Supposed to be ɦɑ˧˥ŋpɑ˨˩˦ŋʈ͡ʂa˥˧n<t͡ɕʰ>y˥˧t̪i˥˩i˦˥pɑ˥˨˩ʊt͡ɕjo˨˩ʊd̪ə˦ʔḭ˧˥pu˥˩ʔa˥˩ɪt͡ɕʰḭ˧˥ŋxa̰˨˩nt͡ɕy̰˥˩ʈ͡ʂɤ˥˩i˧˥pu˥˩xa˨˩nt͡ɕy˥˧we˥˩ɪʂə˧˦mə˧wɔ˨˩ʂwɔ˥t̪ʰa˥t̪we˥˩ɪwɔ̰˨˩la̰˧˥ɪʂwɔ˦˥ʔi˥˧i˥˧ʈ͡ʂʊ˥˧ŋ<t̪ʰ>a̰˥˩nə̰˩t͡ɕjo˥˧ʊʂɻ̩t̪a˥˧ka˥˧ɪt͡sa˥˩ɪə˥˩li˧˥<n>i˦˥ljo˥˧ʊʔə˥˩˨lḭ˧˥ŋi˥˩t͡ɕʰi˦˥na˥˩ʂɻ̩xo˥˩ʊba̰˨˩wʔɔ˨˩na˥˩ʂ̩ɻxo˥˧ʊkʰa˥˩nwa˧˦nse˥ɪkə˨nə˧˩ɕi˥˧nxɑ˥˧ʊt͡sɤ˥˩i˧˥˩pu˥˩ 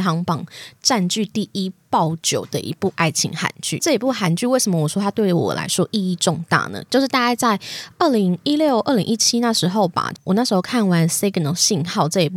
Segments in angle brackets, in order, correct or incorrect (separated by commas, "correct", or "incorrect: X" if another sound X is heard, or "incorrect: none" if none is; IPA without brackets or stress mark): incorrect: t͡ɕ, incorrect: t̪, incorrect: ŋ